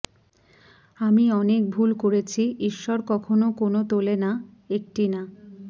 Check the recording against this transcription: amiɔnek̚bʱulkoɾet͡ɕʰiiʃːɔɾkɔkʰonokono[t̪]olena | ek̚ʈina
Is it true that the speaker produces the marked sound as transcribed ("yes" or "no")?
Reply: yes